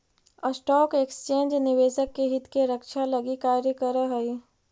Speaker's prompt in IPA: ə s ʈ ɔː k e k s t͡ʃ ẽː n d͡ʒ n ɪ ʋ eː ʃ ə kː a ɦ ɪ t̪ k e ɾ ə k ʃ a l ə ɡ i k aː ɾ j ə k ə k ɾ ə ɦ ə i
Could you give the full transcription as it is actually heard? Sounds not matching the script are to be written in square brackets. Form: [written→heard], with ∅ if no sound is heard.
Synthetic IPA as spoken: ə s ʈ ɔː k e k s t͡ʃ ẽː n d͡ʒ n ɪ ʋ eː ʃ ə kː [a→e] ɦ ɪ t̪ k e ɾ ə k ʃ a l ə ɡ i k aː ɾ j ə k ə [k→∅] ɾ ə ɦ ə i